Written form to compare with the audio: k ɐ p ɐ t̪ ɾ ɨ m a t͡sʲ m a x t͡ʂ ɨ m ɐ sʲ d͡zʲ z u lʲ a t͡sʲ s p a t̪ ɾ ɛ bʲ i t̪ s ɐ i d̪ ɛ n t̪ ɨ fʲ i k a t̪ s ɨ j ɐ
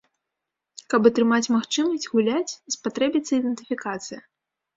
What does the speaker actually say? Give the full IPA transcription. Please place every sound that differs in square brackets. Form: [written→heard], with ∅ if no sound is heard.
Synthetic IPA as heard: k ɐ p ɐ t̪ ɾ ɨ m a t͡sʲ m a x t͡ʂ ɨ m ɐ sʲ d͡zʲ [z→ɣ] u lʲ a t͡sʲ s p a t̪ ɾ ɛ bʲ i t̪ s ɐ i d̪ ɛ n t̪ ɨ fʲ i k a t̪ s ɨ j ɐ